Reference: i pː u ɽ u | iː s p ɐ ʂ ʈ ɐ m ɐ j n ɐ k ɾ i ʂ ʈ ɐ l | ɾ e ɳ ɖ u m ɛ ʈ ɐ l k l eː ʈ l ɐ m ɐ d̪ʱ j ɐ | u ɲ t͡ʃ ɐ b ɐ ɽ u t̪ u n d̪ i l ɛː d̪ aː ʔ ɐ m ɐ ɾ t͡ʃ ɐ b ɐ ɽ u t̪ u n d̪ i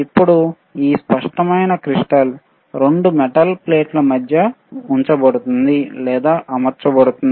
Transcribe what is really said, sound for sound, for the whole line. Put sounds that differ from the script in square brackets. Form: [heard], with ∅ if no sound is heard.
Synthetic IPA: i pː u ɽ u | iː s p ɐ ʂ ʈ ɐ m ɐ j n ɐ k ɾ i ʂ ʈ ɐ l | ɾ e ɳ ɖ u m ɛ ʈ ɐ l [p] l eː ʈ l ɐ m ɐ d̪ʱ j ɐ | u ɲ t͡ʃ ɐ b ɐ ɽ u t̪ u n d̪ i l ɛː d̪ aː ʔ ɐ m ɐ ɾ t͡ʃ ɐ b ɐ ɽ u t̪ u n d̪ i